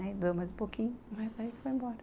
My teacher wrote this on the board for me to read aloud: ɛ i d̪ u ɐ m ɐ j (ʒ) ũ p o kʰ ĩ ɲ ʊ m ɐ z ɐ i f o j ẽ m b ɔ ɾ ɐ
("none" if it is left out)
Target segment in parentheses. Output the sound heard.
z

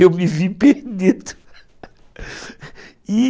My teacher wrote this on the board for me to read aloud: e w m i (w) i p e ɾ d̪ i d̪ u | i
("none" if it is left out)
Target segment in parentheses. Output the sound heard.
v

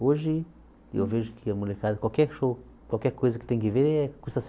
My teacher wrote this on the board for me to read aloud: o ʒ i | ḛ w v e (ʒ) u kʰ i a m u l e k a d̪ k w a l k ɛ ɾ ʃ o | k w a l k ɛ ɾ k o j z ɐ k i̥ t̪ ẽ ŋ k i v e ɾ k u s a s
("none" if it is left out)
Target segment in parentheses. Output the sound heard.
ʒ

